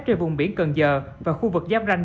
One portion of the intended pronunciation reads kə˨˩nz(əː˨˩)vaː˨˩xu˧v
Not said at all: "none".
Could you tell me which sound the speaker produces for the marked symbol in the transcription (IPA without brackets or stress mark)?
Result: əː˨˩